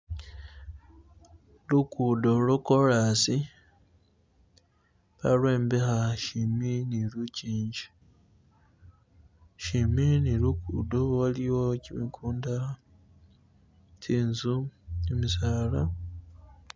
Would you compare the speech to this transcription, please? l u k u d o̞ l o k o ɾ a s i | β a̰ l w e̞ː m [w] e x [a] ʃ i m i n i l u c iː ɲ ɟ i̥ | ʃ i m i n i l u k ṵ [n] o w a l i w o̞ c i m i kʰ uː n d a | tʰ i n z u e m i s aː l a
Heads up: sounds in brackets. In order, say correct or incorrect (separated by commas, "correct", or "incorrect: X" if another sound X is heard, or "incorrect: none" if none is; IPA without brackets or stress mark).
incorrect: b, correct, incorrect: d